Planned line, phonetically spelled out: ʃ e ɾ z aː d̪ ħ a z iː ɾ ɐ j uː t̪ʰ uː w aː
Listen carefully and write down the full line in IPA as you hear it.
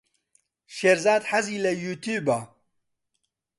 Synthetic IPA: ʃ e ɾ z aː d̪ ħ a z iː l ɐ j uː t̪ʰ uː b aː

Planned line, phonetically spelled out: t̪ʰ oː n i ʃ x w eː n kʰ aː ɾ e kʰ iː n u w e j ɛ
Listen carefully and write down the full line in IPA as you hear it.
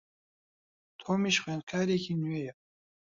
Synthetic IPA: t̪ʰ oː m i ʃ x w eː n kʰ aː ɾ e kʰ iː n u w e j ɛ

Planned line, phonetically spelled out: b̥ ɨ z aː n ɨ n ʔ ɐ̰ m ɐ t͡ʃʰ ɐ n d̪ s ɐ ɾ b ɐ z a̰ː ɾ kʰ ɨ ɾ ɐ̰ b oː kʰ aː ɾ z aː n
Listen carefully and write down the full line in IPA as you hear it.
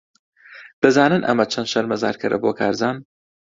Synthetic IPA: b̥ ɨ z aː n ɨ n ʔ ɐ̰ m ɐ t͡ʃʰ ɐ n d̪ ʃ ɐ ɾ m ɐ z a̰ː ɾ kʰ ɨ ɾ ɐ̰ b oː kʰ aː ɾ z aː n

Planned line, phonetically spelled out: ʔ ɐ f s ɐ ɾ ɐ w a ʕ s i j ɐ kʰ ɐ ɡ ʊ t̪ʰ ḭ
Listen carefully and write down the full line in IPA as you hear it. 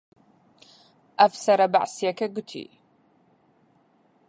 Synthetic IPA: ʔ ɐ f s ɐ ɾ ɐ b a ʕ s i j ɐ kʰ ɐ ɡ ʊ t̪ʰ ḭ

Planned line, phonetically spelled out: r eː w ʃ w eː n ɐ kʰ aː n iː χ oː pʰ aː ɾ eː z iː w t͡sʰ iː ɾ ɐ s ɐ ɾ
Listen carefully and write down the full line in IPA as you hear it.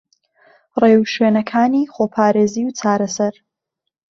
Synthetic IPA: r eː w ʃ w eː n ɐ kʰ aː n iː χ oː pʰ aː ɾ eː z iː w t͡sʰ aː ɾ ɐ s ɐ ɾ

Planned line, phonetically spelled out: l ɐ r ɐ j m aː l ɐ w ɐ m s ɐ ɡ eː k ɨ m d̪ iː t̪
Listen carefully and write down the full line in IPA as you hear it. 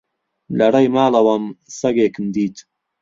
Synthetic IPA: l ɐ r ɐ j m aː l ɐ w ɐ m s ɐ ɡ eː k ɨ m d̪ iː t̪

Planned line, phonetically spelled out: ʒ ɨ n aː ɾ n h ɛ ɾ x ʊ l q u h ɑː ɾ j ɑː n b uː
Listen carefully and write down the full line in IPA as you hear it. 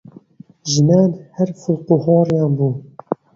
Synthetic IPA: ʒ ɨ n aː n h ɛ ɾ f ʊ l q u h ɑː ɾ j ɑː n b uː

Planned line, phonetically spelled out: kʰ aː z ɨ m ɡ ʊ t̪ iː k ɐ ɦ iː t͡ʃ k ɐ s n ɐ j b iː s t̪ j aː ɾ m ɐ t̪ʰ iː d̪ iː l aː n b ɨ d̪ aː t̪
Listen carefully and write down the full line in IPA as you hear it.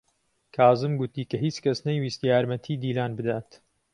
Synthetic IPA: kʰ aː z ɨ m ɡ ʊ t̪ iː k ɐ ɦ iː t͡ʃ k ɐ s n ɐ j w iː s t̪ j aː ɾ m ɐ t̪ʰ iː d̪ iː l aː n b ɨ d̪ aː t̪

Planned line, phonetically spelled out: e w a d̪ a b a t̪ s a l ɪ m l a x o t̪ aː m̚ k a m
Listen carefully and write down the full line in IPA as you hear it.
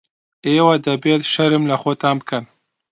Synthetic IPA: e w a d̪ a b e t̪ ʃ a ɾ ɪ m l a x o t̪ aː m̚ k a n

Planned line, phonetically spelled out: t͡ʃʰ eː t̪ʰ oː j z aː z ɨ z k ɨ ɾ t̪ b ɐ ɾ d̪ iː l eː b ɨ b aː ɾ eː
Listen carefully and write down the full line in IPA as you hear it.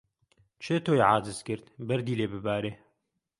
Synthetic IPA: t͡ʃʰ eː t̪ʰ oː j ʕ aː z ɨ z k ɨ ɾ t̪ b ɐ ɾ d̪ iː l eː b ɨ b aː ɾ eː

